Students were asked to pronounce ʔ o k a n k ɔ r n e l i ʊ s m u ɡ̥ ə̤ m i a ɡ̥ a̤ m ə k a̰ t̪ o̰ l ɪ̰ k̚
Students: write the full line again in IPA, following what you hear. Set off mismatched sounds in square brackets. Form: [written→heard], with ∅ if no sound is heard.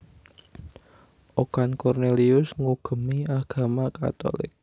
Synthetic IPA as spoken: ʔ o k a n k ɔ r n e l i ʊ s [m→ŋ] u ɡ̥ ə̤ m i a ɡ̥ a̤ m [ə→a] k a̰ t̪ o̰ l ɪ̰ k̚